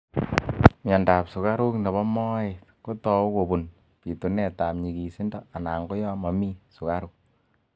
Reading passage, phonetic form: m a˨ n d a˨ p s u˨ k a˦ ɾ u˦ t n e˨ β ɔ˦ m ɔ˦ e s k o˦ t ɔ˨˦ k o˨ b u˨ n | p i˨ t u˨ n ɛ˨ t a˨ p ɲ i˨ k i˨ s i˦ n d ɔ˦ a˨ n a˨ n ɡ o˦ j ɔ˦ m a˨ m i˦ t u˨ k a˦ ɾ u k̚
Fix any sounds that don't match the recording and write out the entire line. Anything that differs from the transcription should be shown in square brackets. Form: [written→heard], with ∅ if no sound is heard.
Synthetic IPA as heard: m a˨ n d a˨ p s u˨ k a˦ ɾ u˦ [t→k] n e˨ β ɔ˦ m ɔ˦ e [s→t] k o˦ t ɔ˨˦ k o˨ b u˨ n | p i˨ t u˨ n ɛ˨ t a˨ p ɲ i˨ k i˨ s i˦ n d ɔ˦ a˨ n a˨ [n→ŋ] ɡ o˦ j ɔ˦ m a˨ m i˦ [t→s] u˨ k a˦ ɾ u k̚